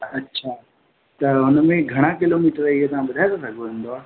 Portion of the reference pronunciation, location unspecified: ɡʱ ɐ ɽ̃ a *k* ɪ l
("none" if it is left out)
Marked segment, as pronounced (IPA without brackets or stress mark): k